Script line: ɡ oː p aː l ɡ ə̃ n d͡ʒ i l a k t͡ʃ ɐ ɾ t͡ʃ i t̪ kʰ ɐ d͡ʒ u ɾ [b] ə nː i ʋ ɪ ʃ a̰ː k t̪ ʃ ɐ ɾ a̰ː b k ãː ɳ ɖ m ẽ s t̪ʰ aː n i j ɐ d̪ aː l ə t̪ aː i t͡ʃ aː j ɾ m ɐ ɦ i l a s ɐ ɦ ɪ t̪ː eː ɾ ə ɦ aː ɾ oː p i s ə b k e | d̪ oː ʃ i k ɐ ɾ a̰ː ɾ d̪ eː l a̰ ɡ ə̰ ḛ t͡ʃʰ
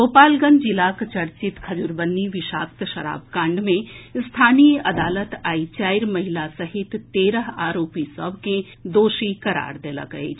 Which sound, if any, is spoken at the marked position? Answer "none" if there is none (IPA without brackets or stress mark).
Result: b